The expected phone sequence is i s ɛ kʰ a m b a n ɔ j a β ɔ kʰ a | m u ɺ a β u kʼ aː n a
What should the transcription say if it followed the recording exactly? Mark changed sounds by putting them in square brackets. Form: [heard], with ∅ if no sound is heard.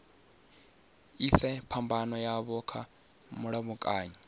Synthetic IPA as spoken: i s ɛ [pʰ] a m b a n ɔ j a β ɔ kʰ a | m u ɺ a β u kʼ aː [ɲ] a

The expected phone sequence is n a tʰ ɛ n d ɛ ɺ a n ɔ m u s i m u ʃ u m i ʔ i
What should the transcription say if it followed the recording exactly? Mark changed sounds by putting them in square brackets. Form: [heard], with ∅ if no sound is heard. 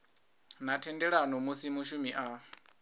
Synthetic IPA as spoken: n a tʰ ɛ n d ɛ ɺ a n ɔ m u s i m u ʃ u m i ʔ [a]

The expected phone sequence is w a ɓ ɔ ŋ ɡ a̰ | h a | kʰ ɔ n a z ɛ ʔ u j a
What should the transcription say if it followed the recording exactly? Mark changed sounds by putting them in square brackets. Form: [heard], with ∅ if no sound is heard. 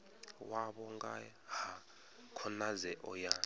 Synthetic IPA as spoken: w a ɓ ɔ ŋ ɡ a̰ | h a | kʰ ɔ n a z ɛ ʔ [ɔ] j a

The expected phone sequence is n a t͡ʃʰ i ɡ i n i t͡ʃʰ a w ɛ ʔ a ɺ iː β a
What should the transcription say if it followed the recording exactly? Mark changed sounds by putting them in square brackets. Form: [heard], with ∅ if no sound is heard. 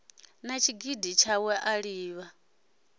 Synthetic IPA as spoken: n a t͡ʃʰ i ɡ i [d] i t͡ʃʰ a w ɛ ʔ a ɺ iː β a

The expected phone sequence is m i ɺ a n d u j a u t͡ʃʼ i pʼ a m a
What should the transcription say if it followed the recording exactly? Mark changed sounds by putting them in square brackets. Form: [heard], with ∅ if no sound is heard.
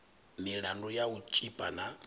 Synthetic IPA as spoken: m i ɺ a n d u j a u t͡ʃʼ i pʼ a [n] a

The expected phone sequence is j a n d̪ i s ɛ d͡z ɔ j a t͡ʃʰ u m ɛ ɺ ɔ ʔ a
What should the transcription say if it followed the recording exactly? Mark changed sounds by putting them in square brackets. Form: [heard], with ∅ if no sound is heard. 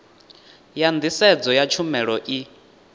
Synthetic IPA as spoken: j a n d̪ i s ɛ d͡z ɔ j a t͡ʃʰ u m ɛ ɺ ɔ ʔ [i]

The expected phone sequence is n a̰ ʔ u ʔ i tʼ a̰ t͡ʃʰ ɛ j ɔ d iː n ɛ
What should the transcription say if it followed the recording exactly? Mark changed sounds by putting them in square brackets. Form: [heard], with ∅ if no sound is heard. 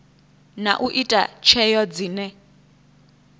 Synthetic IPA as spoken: n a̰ ʔ u ʔ i tʼ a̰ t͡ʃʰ ɛ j ɔ [d͡z] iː n ɛ

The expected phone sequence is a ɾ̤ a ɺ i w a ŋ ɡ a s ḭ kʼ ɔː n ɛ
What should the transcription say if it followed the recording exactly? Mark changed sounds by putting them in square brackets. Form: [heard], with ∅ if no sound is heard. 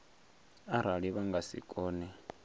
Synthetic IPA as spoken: a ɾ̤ a ɺ i [β] a ŋ ɡ a s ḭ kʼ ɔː n ɛ

